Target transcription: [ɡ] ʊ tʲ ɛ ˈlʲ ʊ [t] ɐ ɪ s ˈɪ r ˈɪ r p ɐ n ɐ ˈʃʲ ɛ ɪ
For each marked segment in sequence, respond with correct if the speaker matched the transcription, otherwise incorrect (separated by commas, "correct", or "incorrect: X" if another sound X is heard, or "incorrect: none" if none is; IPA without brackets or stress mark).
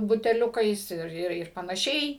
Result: incorrect: b, incorrect: k